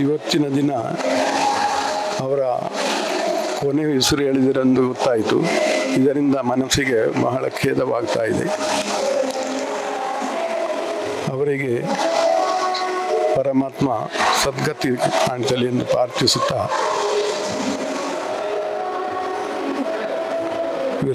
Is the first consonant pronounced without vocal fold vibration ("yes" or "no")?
no